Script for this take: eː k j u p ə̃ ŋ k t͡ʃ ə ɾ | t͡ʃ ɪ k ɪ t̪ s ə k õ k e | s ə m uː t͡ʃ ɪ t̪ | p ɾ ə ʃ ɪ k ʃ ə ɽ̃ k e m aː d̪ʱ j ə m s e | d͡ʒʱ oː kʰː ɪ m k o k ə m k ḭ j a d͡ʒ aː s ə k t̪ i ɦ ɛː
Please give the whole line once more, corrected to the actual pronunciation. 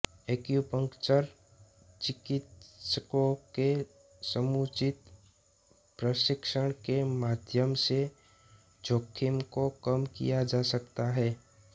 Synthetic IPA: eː k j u p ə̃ ŋ k t͡ʃ ə ɾ | t͡ʃ ɪ k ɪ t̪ s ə k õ k e | s ə m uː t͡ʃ ɪ t̪ | p ɾ ə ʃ ɪ k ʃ ə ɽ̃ k e m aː d̪ʱ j ə m s e | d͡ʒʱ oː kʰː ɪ m k o k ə m k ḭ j a d͡ʒ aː s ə k t̪ a ɦ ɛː